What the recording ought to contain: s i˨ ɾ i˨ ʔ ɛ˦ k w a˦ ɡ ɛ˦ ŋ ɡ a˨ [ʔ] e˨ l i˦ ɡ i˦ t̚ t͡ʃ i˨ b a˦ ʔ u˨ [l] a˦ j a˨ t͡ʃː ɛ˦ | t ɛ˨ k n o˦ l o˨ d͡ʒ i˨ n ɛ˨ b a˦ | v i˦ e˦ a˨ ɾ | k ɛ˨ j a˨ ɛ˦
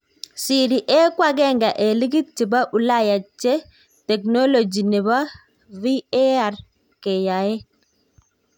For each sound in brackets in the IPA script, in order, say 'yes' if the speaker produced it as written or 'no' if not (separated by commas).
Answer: yes, yes